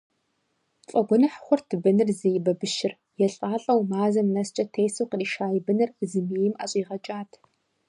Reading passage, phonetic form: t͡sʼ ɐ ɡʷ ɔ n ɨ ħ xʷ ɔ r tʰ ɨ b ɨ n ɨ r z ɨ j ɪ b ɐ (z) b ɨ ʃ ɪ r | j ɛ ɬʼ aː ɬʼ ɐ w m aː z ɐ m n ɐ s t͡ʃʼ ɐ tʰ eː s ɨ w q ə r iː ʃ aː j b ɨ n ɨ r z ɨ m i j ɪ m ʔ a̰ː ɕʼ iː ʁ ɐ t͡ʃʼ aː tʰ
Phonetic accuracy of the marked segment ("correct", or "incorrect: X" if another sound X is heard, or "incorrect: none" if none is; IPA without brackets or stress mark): incorrect: none